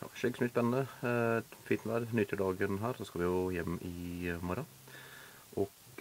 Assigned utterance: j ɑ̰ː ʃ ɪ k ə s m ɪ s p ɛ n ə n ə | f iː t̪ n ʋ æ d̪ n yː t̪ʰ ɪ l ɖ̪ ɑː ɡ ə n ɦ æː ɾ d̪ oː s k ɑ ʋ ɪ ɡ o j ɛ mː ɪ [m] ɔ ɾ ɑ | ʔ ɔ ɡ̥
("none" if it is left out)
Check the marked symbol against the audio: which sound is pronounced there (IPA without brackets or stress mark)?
m